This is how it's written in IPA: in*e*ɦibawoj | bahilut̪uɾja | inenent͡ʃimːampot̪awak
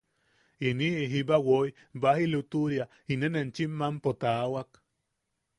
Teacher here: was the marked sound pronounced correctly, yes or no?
no